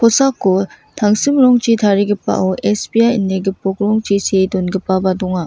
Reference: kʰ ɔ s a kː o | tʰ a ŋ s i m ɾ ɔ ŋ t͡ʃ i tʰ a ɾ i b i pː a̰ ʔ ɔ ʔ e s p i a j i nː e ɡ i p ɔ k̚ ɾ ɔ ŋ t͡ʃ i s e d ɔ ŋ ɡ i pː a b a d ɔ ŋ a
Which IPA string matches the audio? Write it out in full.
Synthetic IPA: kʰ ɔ s a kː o | tʰ a ŋ s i m ɾ ɔ ŋ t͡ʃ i tʰ a ɾ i ɡ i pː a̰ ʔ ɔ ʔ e s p i a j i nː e ɡ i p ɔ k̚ ɾ ɔ ŋ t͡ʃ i s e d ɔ n ɡ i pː a b a d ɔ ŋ a